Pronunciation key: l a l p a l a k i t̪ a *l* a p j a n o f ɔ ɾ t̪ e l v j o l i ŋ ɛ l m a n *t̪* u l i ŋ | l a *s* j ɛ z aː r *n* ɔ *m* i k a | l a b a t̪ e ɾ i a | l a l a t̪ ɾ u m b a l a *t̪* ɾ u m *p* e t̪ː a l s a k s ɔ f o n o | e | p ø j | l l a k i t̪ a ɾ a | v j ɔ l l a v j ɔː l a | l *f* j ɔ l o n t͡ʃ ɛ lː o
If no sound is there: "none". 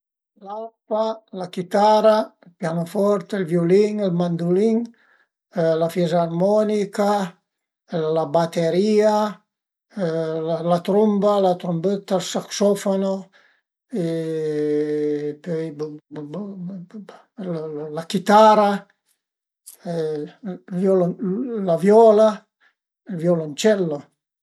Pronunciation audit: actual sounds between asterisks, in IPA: ɾ, d̪, f, m, n, t̪, b, v

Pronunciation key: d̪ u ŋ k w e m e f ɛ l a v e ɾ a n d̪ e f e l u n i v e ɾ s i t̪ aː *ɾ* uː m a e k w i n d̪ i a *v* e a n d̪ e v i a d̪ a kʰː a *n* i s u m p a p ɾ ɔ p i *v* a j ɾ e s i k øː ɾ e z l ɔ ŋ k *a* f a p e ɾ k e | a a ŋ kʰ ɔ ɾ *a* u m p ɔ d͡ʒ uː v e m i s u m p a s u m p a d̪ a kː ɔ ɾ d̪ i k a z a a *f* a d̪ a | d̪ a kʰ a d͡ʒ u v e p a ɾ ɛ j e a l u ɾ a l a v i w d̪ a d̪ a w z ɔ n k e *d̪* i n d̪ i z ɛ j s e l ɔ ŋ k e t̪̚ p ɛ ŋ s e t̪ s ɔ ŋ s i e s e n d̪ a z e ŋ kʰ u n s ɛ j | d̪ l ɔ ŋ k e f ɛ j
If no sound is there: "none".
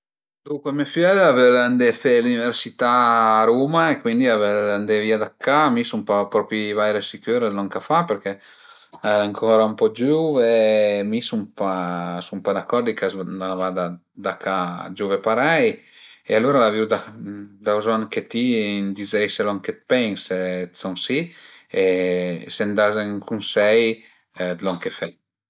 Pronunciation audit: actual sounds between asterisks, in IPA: ɾ, v, m, v, a, a, v, t̪

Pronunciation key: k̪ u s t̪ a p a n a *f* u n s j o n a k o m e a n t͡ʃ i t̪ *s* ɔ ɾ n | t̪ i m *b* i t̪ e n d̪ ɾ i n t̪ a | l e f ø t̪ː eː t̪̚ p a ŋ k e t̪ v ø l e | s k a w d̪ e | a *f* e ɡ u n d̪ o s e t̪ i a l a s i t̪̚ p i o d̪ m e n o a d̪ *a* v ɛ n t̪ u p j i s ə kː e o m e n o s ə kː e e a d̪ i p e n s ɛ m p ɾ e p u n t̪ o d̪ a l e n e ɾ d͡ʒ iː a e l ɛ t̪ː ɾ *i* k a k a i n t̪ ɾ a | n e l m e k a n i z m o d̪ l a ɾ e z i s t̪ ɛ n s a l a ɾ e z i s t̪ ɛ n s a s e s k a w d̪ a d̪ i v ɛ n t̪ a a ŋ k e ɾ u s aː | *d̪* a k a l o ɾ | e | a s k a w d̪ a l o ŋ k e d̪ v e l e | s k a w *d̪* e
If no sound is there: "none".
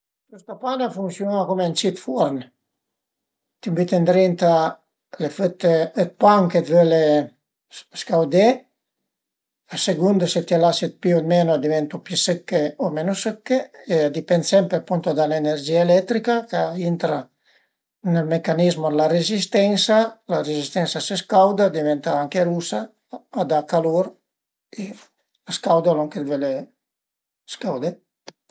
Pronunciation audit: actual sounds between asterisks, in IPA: f, f, b, s, i, i, d̪, d̪

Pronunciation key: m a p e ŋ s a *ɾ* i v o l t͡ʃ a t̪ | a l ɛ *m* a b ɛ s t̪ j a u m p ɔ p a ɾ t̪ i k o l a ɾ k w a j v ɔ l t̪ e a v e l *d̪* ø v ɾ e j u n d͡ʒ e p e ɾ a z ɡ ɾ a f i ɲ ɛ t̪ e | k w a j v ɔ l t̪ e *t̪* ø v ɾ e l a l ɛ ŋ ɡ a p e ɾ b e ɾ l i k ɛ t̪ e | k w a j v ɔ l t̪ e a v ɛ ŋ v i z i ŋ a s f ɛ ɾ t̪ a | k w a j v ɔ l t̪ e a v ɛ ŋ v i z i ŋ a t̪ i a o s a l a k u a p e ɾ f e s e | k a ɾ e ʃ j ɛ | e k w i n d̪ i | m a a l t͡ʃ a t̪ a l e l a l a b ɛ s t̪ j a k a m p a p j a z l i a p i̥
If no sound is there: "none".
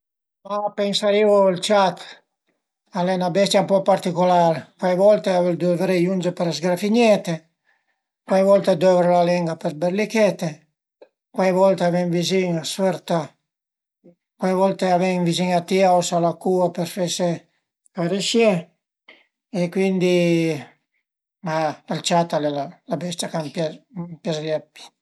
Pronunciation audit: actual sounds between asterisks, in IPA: ɾ, n, d̪, d̪

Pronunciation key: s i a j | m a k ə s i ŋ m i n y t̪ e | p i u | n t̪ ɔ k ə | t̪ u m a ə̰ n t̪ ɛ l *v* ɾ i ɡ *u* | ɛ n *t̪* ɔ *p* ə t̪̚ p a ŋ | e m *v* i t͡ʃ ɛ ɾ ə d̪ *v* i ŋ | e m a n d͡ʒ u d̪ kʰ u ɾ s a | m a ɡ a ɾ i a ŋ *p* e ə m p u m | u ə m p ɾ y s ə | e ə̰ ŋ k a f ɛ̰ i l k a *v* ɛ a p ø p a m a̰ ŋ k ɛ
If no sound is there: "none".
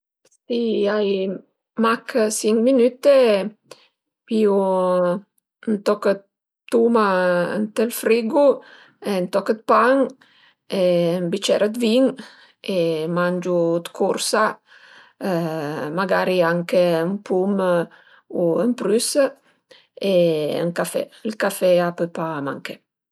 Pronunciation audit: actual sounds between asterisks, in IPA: f, u, t̪, k, b, v, k, f

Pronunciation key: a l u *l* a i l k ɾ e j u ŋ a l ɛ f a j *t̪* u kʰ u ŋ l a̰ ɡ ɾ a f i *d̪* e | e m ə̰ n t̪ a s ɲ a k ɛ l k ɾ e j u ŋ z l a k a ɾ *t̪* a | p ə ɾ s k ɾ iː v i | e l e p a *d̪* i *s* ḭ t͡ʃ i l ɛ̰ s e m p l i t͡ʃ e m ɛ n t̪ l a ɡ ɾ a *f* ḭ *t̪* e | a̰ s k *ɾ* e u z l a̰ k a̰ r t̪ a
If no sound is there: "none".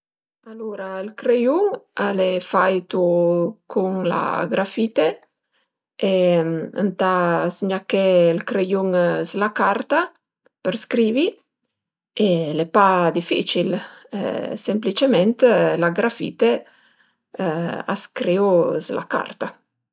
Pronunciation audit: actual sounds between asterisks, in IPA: ɾ, t̪, t̪, t̪, d̪, f, f, t̪, ɾ

